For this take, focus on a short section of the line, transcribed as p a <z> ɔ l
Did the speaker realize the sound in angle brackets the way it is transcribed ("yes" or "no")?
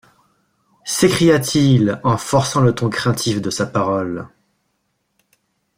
no